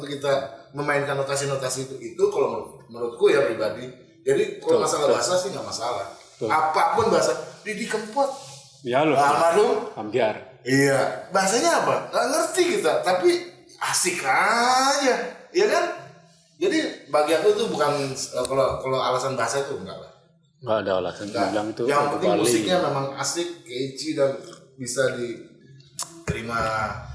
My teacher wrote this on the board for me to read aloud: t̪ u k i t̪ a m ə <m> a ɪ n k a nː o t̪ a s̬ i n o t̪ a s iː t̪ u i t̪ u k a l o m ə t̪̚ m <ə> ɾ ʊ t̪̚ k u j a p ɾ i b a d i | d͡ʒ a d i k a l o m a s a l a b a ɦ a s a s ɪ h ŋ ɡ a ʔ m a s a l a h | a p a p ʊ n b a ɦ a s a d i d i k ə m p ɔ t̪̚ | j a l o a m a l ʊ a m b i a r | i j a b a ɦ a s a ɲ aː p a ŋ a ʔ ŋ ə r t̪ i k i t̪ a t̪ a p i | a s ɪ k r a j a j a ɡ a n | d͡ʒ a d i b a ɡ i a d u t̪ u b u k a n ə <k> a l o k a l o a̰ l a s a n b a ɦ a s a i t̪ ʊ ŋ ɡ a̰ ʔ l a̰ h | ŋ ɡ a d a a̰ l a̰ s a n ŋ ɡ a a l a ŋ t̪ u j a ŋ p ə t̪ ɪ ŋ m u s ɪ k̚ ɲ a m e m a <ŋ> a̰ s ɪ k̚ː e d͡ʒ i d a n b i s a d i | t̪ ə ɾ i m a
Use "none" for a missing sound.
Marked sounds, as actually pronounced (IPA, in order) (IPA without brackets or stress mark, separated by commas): m, ə, k, ŋ